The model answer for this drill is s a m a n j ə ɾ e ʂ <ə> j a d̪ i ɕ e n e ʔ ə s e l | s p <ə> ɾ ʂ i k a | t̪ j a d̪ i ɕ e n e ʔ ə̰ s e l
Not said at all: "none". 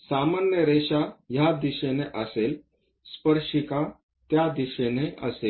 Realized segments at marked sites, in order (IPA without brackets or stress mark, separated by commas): a, ə